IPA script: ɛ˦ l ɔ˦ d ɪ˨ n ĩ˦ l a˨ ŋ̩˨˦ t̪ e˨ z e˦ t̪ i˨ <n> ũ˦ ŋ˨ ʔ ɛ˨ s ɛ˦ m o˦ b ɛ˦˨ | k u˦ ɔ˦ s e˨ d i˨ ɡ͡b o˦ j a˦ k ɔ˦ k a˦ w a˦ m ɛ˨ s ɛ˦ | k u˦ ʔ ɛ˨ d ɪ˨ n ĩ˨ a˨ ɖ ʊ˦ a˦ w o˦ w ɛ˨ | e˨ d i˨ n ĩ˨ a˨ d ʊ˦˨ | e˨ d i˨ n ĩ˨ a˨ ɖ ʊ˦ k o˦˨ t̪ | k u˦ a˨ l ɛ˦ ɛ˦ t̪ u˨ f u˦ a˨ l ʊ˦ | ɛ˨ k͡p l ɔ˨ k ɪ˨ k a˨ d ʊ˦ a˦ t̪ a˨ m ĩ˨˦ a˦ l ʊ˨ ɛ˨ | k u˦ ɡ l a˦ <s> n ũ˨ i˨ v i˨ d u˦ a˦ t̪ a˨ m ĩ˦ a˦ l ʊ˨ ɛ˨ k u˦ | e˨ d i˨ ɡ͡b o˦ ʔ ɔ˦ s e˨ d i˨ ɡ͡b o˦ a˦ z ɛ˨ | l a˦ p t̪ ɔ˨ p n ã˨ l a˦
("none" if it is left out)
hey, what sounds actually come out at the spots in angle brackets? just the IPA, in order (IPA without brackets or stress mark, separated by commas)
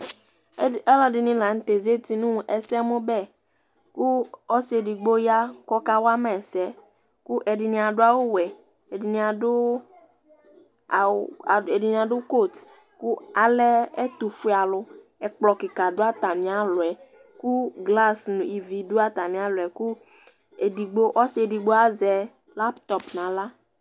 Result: n, s